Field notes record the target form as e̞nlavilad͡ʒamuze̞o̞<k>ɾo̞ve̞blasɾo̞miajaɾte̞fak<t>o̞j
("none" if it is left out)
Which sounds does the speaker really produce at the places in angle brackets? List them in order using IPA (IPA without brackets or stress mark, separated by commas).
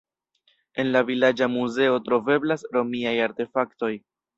t, t